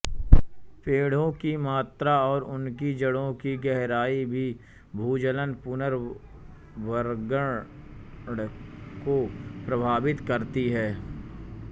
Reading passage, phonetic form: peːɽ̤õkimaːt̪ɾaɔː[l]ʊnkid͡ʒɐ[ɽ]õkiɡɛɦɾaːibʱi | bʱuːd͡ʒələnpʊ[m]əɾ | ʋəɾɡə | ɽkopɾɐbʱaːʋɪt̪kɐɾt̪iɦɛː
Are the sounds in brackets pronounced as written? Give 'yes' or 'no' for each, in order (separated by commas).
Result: no, yes, no